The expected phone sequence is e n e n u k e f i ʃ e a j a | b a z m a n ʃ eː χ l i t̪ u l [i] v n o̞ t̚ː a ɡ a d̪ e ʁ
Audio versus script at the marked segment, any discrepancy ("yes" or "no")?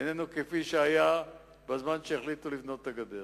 no